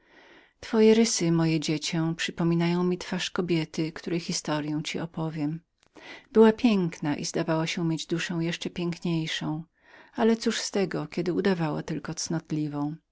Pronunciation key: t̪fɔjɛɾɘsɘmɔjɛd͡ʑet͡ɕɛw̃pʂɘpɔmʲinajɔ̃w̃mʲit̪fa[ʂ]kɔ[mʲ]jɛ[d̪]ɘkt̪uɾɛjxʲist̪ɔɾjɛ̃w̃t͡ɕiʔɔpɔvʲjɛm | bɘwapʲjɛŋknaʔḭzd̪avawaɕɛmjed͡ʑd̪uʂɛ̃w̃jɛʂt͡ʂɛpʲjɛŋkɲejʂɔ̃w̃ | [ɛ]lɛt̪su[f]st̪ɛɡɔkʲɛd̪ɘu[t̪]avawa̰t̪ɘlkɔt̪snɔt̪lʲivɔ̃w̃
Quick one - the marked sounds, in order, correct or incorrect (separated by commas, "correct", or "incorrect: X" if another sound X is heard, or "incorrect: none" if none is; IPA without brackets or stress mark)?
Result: correct, incorrect: bʲ, incorrect: t̪, incorrect: a, incorrect: ʂ, incorrect: d̪